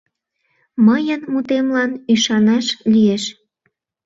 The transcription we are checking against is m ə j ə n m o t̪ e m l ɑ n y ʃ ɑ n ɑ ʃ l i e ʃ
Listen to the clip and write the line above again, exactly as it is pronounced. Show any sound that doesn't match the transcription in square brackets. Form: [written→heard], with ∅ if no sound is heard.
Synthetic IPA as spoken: m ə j ə n m [o→u] t̪ e m l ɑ n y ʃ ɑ n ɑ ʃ l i e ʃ